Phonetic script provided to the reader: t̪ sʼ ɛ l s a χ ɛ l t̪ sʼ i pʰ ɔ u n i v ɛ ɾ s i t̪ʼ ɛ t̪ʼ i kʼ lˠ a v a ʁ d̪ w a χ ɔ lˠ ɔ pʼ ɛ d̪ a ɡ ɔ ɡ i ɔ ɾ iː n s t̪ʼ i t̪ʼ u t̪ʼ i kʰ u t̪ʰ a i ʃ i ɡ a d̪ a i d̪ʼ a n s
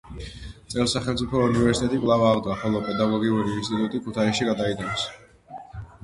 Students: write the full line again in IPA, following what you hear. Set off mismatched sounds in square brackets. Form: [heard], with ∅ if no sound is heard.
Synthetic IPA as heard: t̪ sʼ ɛ l s a χ ɛ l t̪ sʼ i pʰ ɔ u n i v ɛ ɾ s i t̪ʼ ɛ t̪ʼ i kʼ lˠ a v a ʁ d̪ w a χ ɔ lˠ ɔ pʼ ɛ d̪ a ɡ ɔ ɡ i [u] ɾ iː n s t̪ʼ i t̪ʼ u t̪ʼ i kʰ u t̪ʰ a i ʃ i ɡ a d̪ a i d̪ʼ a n s